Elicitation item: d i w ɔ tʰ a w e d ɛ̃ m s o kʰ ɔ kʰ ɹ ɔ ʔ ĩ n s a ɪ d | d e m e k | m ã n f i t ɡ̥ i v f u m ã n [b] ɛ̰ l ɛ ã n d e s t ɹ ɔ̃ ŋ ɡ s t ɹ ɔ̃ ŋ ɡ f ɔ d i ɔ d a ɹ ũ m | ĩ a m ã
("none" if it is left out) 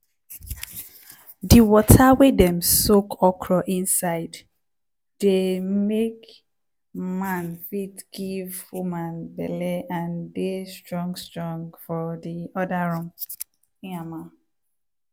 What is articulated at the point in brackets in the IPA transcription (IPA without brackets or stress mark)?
b